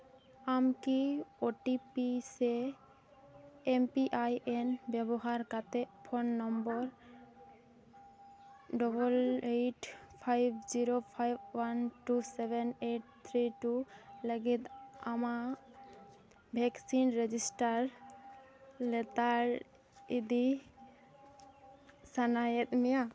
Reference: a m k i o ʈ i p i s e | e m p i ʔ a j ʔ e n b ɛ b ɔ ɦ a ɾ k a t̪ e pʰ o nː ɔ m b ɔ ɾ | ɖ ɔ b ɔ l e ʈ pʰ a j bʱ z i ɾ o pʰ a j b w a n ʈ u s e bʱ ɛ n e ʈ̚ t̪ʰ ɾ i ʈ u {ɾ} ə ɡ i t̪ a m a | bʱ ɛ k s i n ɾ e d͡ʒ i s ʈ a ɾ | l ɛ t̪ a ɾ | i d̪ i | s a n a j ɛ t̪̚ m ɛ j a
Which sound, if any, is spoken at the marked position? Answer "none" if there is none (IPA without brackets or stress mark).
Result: l